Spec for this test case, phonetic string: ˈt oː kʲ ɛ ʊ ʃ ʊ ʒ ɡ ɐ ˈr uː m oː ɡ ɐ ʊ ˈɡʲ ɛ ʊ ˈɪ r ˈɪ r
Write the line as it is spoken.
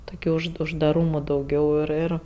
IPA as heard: ˈt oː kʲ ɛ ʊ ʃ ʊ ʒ d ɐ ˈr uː m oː d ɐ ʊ ˈɡʲ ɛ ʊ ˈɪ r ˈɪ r